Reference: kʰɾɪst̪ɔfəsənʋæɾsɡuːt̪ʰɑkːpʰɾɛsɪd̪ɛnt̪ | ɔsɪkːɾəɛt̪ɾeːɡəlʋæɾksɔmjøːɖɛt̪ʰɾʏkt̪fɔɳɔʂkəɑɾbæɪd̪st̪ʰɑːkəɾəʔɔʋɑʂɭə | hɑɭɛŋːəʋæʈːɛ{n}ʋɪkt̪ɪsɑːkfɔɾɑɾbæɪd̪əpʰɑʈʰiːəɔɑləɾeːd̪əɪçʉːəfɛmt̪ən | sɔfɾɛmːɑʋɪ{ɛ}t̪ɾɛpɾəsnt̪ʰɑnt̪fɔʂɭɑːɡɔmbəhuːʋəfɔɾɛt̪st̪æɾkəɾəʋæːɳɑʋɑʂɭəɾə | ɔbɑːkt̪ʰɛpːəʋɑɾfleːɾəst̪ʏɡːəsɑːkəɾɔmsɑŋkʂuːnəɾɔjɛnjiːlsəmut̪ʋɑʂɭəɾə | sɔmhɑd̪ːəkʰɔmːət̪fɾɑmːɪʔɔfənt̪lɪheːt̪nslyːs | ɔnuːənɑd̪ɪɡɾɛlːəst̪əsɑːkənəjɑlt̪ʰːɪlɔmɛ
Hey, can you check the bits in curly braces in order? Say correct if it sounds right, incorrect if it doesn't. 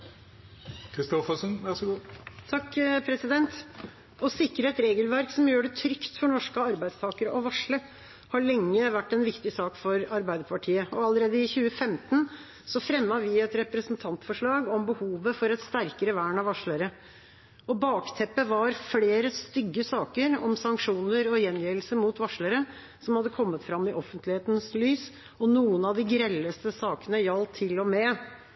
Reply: correct, correct

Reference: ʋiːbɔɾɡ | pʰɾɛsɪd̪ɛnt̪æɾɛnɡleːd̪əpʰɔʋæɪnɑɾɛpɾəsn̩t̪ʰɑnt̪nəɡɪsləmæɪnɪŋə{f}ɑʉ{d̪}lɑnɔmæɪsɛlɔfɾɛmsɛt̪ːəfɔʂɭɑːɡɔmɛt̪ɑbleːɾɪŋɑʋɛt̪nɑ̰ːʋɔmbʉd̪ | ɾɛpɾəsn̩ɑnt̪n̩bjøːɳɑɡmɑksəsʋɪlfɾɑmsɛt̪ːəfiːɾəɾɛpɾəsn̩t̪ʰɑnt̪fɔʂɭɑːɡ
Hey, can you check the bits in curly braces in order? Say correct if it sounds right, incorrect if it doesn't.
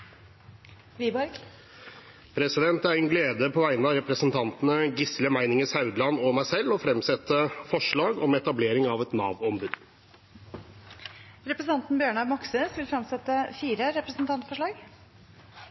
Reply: incorrect, correct

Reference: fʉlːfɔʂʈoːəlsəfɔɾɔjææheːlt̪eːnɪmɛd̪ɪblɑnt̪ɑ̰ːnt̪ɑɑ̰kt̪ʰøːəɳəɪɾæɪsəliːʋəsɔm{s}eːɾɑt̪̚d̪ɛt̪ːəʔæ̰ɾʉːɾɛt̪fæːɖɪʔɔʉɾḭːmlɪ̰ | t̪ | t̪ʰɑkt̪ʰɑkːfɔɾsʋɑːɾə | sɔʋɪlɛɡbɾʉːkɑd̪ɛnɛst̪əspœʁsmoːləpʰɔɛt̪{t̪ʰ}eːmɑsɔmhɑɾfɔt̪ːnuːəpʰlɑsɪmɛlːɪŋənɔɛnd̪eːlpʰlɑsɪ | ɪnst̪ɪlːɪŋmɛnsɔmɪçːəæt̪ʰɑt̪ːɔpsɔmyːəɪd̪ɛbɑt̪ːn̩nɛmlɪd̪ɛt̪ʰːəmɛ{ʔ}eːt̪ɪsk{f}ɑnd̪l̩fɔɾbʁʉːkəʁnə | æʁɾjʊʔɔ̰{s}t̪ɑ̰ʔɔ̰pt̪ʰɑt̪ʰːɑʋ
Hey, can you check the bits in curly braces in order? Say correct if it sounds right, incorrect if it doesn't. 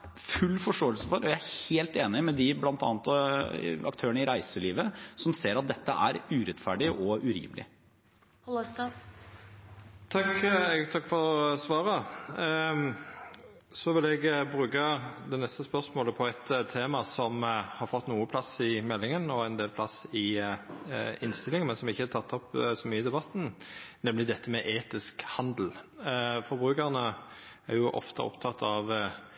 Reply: correct, correct, correct, incorrect, incorrect

